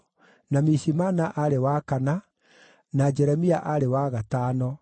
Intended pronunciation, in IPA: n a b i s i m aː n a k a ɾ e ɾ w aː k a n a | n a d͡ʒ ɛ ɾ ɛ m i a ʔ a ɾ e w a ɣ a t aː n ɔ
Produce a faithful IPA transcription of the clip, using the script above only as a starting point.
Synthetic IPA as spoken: n a m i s i m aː n a ʔ a ɾ e w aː k a n a | n a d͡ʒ ɛ ɾ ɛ m i a ʔ a ɾ e w a ɣ a t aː n ɔ